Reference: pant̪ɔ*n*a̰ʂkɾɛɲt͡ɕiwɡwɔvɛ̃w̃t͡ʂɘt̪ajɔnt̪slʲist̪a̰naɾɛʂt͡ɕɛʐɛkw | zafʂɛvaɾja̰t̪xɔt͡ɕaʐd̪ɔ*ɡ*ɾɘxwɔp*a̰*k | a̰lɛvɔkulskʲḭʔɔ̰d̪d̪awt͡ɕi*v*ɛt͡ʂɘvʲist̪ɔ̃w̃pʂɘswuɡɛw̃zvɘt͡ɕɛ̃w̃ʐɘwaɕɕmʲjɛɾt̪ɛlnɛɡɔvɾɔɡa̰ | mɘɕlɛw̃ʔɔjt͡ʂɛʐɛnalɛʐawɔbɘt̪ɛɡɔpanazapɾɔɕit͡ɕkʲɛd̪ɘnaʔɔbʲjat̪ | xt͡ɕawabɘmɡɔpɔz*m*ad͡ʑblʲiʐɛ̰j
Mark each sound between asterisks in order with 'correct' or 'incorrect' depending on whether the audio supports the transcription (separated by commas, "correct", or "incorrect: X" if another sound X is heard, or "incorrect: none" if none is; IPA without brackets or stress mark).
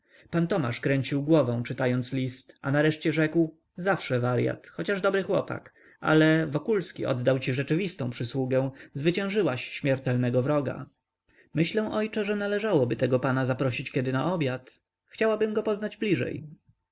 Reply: incorrect: m, incorrect: b, correct, incorrect: ʐ, incorrect: n